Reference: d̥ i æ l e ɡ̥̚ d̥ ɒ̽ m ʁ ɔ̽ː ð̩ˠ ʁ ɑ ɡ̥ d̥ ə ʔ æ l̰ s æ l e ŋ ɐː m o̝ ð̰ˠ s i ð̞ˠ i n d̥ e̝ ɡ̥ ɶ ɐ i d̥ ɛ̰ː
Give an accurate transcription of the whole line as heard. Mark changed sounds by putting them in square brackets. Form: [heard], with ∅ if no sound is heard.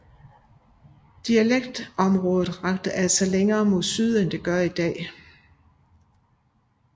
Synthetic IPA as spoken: d̥ i æ l e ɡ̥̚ d̥ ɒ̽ m ʁ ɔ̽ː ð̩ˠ ʁ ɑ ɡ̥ d̥ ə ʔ æ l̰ s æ l e ŋ ɐː m o̝ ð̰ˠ s [y] ð̞ˠ [e] n d̥ e̝ ɡ̥ ɶ ɐ i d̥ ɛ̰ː

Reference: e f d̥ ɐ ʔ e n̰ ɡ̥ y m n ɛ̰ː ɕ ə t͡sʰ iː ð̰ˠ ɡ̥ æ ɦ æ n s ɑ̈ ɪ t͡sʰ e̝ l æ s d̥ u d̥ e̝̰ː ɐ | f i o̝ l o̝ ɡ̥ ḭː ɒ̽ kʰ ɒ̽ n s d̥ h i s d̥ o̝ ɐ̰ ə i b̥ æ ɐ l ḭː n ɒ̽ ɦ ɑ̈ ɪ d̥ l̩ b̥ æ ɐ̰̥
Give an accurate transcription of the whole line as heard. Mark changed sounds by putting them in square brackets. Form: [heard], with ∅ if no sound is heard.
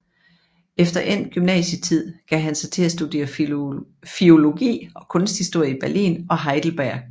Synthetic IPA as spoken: e f d̥ ɐ ʔ e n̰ ɡ̥ y m n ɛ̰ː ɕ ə t͡sʰ [i] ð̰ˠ ɡ̥ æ ɦ æ n s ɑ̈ ɪ t͡sʰ e̝ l æ s d̥ u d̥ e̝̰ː ɐ | f i o̝ l o̝ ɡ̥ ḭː ɒ̽ kʰ [ɔ̽] n s d̥ h i s d̥ o̝ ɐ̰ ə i b̥ æ ɐ l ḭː n ɒ̽ ɦ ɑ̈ ɪ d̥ l̩ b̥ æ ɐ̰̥

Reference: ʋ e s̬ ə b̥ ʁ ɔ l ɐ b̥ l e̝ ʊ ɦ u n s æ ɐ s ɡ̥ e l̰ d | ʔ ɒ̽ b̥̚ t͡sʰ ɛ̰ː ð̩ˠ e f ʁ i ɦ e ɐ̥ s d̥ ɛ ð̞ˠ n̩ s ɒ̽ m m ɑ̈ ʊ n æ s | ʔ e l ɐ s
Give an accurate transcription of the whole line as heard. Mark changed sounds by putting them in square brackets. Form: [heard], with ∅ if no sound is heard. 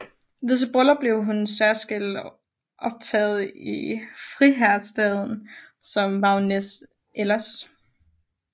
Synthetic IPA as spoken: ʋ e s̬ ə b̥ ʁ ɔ l ɐ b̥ l e̝ ʊ ɦ u n s æ ɐ s ɡ̥ e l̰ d | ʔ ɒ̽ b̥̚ t͡sʰ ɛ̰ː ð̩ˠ [i] f ʁ i ɦ [æ] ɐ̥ s d̥ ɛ ð̞ˠ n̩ s ɒ̽ m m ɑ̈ ʊ n [e] s | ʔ e l ɐ s

